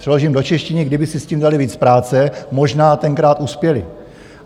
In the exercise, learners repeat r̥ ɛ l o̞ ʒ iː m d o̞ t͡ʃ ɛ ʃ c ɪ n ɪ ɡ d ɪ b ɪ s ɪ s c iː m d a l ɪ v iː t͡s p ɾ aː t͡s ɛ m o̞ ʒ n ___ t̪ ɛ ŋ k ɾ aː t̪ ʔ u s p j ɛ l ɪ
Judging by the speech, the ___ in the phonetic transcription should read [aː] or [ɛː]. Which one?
aː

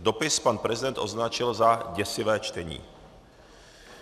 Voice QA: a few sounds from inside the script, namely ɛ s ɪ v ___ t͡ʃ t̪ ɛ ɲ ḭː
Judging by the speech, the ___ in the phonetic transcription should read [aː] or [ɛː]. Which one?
ɛː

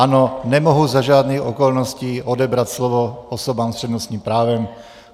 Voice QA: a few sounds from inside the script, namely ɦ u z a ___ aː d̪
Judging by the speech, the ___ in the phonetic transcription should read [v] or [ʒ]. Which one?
ʒ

